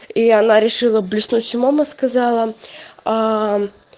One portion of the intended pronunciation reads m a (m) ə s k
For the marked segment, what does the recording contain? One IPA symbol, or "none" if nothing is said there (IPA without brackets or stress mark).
m